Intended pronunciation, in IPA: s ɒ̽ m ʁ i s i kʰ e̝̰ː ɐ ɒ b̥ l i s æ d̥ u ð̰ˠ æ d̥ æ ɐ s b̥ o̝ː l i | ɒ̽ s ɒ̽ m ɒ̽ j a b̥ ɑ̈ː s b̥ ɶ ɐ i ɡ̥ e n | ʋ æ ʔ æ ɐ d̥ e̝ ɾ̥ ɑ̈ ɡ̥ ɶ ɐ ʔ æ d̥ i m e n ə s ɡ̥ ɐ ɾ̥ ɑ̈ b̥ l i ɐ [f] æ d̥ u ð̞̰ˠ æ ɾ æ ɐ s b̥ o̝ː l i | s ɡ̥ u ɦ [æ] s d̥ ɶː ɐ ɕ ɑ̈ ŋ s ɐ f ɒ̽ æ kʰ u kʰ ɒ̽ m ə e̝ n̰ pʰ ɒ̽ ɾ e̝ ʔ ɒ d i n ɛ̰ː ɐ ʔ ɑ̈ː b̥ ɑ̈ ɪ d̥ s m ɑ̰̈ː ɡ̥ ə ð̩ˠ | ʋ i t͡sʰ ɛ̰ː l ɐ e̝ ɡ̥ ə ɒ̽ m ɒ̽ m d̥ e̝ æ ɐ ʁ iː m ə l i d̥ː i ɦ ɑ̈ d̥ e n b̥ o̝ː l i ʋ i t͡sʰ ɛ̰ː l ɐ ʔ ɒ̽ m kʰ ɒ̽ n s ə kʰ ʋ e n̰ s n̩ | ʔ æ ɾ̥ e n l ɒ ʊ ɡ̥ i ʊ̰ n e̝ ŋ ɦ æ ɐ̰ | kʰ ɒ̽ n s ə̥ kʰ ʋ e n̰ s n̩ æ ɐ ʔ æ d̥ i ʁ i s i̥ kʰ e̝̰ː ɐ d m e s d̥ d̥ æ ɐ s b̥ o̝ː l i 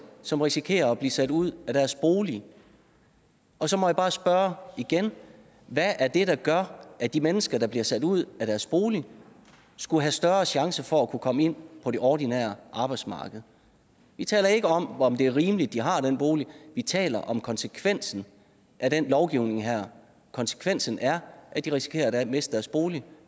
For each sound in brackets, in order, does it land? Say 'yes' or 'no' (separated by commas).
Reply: no, yes